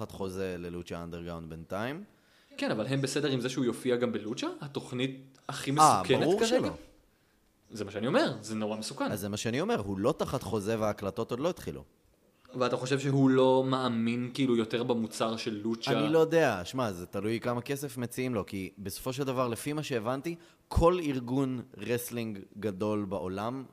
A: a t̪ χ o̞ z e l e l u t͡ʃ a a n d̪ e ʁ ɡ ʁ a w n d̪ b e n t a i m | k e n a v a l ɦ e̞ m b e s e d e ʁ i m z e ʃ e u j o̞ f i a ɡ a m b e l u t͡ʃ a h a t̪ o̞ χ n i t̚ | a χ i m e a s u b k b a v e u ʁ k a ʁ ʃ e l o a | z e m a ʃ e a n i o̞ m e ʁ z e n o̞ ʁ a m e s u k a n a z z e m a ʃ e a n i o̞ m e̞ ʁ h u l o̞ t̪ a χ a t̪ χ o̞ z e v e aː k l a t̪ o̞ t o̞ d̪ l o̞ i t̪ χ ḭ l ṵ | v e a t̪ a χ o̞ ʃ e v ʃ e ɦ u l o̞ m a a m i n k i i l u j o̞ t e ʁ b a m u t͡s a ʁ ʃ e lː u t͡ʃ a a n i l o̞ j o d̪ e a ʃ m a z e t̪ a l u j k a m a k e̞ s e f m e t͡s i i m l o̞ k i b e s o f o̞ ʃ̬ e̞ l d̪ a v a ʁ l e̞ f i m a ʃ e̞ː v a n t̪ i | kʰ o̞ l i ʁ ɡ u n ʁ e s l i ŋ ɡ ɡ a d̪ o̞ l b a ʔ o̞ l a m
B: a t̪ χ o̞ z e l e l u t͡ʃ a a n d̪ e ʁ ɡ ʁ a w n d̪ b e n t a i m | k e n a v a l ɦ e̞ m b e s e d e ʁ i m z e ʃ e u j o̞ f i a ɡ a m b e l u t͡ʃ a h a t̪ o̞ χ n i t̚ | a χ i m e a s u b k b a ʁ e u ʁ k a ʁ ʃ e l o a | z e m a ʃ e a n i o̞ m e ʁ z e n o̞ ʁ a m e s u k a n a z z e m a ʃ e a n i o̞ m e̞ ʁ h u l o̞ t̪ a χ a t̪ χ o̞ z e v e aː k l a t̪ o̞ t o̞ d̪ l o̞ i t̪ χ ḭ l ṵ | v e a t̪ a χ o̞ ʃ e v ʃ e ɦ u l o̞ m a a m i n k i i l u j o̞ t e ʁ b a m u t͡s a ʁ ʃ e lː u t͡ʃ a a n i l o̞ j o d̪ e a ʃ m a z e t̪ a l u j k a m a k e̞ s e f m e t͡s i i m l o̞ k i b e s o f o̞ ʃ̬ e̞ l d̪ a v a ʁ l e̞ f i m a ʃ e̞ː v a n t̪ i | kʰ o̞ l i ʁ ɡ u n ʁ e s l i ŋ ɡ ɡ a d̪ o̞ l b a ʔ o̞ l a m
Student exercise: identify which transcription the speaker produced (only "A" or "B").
B